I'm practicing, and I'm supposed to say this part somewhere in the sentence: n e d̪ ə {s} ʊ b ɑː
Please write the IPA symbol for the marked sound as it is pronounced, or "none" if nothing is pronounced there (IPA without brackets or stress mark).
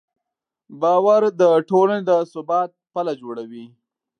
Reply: s